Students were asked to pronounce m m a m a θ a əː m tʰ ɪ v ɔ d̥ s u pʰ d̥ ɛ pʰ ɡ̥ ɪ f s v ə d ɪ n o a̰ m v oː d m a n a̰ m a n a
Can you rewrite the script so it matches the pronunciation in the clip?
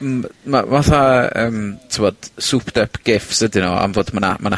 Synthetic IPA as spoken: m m a m a θ a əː m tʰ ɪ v ɔ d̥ s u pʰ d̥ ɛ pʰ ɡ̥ ɪ f s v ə d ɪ n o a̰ m v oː d m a n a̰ m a n a